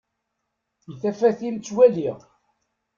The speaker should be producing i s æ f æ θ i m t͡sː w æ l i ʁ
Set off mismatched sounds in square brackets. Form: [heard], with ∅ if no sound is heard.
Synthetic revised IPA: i [θ] æ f æ θ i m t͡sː w æ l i ʁ